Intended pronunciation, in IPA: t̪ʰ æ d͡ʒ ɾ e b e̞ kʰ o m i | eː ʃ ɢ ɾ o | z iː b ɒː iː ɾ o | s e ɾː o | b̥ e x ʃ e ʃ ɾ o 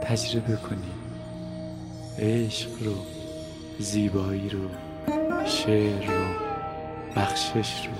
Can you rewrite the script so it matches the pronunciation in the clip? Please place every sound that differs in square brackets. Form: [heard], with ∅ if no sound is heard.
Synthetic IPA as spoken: t̪ʰ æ d͡ʒ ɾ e b e̞ kʰ o [n] i | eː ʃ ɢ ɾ o | z iː b ɒː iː ɾ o | [ʃ] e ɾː o | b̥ [æ] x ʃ e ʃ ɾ o